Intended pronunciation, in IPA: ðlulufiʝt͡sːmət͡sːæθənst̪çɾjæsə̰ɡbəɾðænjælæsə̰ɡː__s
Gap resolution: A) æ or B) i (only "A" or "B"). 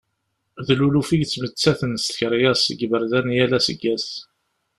A